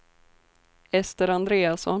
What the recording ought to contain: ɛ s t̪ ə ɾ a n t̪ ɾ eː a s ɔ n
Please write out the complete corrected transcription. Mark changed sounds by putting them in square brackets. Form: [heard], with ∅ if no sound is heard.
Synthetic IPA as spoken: ɛ s t̪ ə ɾ a n [d̪] ɾ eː a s ɔ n